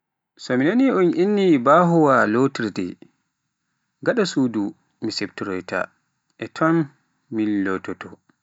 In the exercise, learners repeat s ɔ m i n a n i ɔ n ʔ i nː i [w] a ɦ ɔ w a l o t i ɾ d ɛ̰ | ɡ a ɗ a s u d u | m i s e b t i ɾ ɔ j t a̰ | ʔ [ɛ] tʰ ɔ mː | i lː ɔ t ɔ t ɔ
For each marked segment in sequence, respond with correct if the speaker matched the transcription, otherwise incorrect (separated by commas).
incorrect, correct